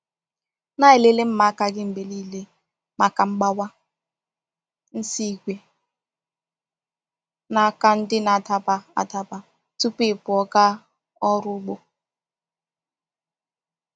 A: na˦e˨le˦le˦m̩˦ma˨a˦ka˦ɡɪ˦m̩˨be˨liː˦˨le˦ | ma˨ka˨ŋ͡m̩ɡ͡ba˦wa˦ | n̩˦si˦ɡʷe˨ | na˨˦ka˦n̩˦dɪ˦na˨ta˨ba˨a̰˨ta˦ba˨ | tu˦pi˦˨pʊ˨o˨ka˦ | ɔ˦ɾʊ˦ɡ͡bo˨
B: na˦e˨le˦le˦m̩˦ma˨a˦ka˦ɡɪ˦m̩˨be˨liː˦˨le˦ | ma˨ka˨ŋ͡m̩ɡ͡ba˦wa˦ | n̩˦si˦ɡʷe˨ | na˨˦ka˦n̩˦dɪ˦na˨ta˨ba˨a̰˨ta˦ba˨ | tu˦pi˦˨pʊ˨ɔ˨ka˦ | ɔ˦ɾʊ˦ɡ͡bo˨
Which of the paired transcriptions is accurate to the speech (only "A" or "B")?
B